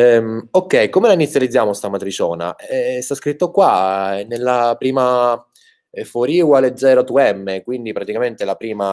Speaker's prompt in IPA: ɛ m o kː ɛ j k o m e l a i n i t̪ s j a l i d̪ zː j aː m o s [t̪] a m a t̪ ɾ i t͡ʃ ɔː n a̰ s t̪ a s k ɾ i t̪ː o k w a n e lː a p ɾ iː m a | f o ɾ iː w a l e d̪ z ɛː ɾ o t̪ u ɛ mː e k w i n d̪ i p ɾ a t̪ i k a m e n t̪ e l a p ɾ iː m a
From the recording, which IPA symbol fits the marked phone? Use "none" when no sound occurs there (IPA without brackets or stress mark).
t̪